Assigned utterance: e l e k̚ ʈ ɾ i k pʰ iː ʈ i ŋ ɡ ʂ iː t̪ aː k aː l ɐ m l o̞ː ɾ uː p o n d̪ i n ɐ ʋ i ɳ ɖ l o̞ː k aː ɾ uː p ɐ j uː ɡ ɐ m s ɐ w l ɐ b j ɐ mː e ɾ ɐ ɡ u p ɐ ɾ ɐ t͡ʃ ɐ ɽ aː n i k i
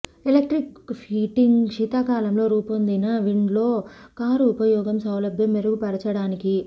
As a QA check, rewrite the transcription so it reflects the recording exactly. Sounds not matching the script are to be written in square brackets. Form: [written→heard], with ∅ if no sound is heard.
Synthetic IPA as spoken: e l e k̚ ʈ ɾ i k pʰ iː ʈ i ŋ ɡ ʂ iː t̪ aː k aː l ɐ m l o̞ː ɾ uː p o n d̪ i n ɐ ʋ i ɳ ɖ l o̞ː k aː ɾ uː p ɐ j [uː→ɔː] ɡ ɐ m s ɐ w l ɐ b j ɐ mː e ɾ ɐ ɡ u p ɐ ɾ ɐ t͡ʃ ɐ ɽ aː n i k i